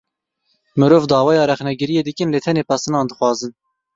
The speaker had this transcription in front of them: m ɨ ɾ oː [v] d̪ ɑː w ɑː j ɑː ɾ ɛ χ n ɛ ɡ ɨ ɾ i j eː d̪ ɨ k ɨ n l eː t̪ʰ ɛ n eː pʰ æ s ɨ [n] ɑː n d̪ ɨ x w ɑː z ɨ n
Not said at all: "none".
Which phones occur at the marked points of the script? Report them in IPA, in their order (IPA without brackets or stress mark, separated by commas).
v, n